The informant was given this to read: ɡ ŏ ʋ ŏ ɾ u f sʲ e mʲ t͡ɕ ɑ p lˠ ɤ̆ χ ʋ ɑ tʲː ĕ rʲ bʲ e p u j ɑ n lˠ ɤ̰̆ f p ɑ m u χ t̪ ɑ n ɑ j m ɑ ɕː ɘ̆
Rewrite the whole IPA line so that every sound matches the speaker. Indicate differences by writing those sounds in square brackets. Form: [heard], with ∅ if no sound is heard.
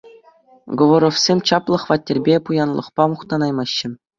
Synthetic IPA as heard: ɡ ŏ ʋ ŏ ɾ [o] f sʲ e mʲ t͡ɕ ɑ p lˠ ɤ̆ χ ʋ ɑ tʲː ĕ rʲ bʲ e p u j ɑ n lˠ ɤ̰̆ [χ] p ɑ m u χ t̪ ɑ n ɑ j m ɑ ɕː ɘ̆

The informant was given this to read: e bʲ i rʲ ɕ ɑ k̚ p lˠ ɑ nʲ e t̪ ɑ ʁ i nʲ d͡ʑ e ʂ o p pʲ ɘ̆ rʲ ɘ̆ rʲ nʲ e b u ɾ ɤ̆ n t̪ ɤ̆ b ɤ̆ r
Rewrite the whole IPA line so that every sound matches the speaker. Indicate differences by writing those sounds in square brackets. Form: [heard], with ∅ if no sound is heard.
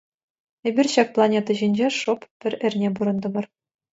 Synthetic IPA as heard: e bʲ i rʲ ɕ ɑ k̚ p lˠ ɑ nʲ e t̪ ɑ [ʑ] i nʲ d͡ʑ e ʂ o p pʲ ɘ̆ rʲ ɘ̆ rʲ nʲ e b u ɾ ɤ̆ n [d̪] ɤ̆ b ɤ̆ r

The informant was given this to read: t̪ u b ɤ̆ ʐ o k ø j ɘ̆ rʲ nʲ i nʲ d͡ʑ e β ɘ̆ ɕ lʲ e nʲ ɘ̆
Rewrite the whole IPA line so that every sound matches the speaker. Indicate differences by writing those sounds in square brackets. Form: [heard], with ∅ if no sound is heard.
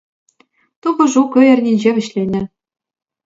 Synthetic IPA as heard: t̪ u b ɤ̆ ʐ [u] k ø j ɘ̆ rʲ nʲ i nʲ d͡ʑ e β ɘ̆ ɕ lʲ e nʲ ɘ̆

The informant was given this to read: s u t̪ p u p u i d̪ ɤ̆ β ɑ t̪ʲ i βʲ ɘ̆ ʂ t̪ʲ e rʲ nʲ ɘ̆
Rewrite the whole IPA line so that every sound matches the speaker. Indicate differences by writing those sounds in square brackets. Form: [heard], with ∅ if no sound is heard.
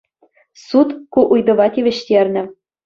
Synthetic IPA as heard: s u t̪ [k] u [ʔ] u [j] d̪ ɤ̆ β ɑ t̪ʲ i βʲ ɘ̆ [ɕ] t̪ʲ e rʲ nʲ ɘ̆

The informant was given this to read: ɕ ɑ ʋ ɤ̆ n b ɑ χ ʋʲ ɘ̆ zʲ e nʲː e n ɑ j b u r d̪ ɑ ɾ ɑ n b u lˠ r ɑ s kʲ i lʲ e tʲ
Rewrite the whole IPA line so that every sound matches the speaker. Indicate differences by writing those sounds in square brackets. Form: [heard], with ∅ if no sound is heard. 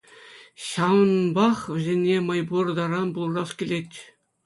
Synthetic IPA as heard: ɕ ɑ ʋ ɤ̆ n b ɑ χ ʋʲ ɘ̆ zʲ e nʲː e [m] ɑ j b u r d̪ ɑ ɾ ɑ n b u lˠ r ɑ s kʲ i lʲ e tʲ

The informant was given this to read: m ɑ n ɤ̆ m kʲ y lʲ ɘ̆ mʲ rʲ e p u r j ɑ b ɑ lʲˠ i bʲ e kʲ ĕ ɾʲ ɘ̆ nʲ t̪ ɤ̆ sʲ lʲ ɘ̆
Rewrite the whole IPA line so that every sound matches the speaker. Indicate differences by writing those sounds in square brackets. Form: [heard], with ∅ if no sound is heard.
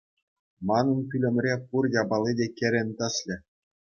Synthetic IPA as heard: m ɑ n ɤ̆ [n] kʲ y lʲ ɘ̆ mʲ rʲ e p u r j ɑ b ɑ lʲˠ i [dʲ] e kʲ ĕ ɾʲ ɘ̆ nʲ t̪ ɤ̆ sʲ lʲ ɘ̆

